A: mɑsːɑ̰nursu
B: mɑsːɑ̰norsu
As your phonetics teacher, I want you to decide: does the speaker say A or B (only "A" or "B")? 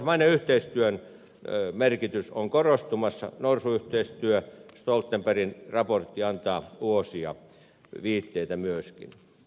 B